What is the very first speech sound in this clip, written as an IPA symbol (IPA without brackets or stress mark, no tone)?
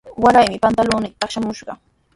w